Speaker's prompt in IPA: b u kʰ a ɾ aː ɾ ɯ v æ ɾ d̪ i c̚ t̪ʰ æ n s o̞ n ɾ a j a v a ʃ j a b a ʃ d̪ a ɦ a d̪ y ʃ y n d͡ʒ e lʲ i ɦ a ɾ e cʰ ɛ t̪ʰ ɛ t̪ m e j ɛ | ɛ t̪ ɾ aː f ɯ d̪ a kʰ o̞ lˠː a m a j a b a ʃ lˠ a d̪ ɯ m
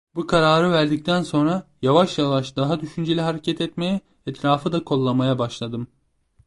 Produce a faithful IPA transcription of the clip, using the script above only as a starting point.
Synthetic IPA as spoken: b u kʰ a ɾ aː ɾ ɯ v æ ɾ d̪ i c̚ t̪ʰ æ n s o̞ n ɾ a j a v a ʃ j a v a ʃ d̪ a ɦ a d̪ y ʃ y n d͡ʒ e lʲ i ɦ a ɾ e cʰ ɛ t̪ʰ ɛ t̪ m e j ɛ | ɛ t̪ ɾ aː f ɯ d̪ a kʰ o̞ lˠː a m a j a b a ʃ lˠ a d̪ ɯ m